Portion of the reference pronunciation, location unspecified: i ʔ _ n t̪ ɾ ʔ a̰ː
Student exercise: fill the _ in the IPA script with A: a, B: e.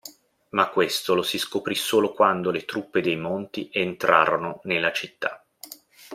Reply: B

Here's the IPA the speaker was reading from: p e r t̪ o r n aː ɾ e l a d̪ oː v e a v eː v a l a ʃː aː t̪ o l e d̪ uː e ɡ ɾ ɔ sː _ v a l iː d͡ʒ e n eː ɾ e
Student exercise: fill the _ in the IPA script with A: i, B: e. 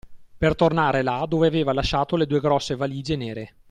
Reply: B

